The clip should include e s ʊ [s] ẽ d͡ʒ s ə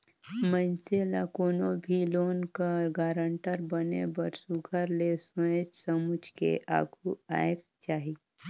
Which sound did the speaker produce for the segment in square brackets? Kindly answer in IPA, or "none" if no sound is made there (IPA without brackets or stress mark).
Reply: none